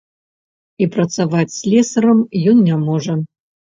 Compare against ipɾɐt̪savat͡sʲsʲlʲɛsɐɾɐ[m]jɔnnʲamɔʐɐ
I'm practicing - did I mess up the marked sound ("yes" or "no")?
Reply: no